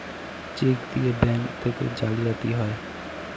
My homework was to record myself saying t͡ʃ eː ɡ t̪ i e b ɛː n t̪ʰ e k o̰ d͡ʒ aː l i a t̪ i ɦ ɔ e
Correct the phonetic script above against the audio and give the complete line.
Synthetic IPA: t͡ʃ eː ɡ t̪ i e b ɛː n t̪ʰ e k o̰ d͡ʒ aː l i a t̪ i ɦ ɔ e